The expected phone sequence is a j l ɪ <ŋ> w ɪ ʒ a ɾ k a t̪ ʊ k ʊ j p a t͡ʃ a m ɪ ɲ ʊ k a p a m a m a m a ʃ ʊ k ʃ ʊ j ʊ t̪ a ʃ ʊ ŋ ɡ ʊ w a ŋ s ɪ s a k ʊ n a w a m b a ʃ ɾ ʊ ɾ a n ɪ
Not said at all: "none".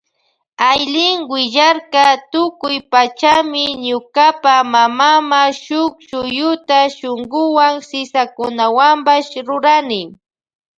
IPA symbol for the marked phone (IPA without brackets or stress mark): ŋ